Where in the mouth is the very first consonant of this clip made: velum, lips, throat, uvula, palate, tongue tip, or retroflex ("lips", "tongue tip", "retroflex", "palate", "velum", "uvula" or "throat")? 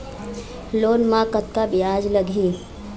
tongue tip